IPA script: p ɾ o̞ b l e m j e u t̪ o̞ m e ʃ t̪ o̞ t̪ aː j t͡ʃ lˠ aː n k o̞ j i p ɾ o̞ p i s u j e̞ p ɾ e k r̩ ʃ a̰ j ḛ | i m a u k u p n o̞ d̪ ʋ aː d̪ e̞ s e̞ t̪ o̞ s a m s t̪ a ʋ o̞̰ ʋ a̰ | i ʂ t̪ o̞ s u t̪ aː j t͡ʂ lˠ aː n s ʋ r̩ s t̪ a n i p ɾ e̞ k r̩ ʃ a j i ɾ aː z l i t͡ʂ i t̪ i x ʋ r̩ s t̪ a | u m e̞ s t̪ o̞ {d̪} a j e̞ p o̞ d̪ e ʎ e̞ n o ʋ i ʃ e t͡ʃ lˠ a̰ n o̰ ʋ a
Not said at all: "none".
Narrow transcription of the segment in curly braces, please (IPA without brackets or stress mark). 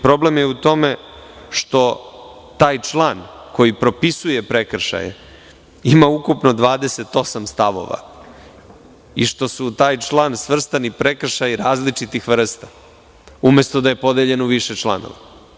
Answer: d̪